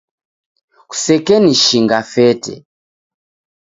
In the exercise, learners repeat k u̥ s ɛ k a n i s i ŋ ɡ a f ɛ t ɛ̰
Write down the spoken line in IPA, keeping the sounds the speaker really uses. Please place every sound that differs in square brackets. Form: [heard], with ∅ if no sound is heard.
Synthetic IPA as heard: k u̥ s ɛ k [ɛ] n i [ʃ] i ŋ ɡ a f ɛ t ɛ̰